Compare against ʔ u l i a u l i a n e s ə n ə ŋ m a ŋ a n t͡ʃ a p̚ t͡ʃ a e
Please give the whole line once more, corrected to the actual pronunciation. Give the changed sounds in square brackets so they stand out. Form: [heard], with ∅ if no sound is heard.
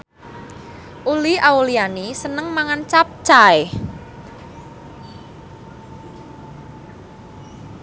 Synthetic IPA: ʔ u l i a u l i a n [i] s ə n ə ŋ m a ŋ a n t͡ʃ a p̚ t͡ʃ a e